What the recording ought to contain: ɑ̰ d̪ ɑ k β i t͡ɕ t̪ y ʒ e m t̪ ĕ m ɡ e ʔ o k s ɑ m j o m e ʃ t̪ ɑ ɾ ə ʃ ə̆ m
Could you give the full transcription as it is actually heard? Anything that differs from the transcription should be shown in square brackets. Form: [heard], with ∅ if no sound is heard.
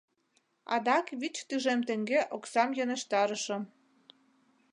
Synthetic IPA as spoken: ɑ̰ d̪ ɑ k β i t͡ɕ t̪ y ʒ e m t̪ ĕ [ŋ] ɡ e ʔ o k s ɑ m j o [n] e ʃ t̪ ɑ ɾ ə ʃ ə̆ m